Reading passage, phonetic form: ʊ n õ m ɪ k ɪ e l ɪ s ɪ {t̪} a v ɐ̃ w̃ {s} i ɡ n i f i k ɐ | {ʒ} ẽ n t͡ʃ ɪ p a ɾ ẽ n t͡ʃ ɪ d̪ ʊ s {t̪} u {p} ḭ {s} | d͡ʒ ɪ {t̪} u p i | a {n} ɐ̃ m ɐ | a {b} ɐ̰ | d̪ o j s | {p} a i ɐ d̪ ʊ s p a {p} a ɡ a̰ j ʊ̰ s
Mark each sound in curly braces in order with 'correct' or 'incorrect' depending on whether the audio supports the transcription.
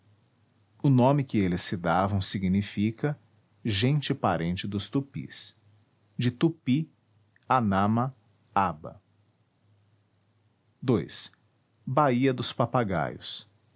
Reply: incorrect: d̪, correct, correct, correct, correct, correct, correct, correct, correct, incorrect: b, correct

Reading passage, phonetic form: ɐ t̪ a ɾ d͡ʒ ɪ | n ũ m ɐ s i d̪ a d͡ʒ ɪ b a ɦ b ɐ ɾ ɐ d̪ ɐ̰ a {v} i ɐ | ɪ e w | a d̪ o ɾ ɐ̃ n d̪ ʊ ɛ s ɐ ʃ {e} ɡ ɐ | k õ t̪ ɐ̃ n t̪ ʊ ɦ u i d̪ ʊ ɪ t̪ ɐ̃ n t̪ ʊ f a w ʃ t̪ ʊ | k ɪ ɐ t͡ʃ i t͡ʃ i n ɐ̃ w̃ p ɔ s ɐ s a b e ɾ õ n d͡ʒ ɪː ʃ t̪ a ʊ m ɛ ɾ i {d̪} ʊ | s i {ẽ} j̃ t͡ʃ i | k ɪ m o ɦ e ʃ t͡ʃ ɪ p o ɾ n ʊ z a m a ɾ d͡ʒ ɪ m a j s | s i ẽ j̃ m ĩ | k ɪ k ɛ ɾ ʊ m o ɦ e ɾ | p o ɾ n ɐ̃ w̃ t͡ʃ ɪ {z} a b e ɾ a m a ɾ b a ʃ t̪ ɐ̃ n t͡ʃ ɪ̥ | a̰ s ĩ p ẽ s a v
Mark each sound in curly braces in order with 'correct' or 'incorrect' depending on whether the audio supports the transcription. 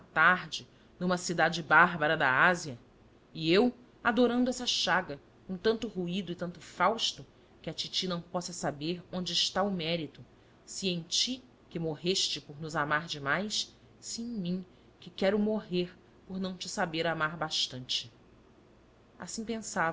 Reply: incorrect: z, incorrect: a, incorrect: t̪, correct, incorrect: s

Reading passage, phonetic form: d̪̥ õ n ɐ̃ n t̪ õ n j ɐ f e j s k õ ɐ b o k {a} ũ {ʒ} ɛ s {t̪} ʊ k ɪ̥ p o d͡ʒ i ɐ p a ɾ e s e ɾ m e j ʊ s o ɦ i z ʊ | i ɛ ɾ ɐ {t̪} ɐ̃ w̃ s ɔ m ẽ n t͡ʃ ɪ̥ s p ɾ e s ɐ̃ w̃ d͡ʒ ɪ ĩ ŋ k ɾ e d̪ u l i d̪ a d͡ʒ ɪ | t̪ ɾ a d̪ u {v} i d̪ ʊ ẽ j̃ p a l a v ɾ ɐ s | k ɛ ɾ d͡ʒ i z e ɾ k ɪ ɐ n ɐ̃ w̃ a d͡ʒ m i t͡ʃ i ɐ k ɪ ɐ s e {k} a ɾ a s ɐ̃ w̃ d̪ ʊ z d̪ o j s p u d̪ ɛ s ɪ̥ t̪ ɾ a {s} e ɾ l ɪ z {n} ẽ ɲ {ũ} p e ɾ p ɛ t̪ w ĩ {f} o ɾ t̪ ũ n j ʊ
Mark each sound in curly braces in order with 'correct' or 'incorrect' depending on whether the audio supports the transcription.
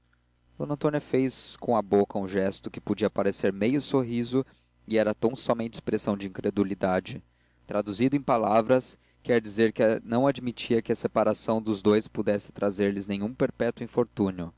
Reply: incorrect: ɐ, correct, correct, correct, incorrect: z, incorrect: p, incorrect: z, correct, correct, correct

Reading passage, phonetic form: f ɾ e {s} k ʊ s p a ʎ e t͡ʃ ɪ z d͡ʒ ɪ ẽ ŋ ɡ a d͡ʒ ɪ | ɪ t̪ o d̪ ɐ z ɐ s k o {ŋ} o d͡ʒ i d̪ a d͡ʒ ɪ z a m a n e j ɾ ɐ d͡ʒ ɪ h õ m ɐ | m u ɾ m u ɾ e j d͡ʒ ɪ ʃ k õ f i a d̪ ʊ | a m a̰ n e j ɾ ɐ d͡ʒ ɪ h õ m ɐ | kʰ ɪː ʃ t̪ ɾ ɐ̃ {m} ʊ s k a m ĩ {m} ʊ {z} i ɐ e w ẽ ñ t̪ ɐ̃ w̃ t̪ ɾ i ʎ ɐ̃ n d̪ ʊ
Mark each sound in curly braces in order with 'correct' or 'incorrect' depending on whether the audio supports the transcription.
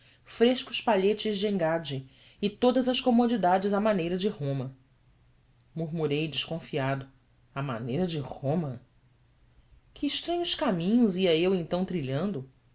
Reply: incorrect: ʃ, incorrect: m, incorrect: ɲ, incorrect: ɲ, correct

